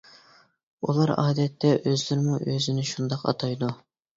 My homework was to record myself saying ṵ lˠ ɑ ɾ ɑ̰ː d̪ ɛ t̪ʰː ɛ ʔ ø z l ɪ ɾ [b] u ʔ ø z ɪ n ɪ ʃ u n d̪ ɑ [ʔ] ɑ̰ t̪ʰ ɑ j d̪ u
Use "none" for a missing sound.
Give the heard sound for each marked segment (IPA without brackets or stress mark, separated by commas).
m, q